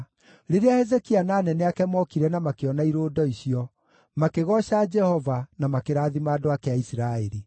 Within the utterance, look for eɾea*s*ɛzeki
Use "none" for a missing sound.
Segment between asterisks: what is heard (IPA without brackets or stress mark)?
h